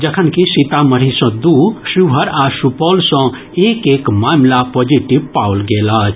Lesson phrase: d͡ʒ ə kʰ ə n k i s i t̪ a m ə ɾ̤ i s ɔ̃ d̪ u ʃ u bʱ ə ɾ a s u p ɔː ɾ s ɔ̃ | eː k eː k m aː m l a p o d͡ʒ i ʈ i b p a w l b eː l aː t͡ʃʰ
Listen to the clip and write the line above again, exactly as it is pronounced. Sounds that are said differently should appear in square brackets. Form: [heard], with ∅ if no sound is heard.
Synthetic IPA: d͡ʒ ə kʰ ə n k i s i t̪ a m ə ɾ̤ i s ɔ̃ d̪ u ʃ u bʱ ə ɾ a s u p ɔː [l] s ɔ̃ | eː k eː k m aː m l a p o d͡ʒ i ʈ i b p a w l [ɡ] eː l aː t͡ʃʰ